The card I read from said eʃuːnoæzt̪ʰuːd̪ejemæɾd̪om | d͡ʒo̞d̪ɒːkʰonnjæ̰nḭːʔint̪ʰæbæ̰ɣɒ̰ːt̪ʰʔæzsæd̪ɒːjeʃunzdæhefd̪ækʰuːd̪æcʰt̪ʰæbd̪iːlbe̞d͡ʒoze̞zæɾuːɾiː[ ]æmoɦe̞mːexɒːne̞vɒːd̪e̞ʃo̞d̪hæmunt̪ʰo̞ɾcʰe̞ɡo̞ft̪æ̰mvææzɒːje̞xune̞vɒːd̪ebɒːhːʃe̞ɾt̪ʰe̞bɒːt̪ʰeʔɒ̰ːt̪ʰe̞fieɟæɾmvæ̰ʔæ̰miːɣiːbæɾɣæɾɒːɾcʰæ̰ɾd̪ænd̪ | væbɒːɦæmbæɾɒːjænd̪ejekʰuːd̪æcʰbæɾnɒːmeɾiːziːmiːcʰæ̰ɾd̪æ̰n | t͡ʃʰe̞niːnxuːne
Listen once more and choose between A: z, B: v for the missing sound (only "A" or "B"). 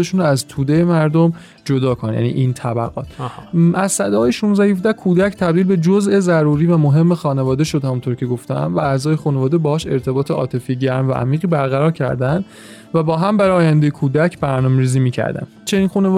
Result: B